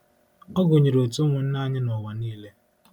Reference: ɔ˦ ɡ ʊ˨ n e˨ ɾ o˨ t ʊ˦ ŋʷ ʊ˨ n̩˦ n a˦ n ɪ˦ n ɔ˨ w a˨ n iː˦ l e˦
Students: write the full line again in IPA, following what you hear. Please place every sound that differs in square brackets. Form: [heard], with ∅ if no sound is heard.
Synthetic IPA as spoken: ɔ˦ ɡ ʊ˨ [ɲ] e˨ ɾ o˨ t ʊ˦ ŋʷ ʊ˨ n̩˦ n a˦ [ɲ] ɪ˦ n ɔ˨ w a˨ n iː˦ l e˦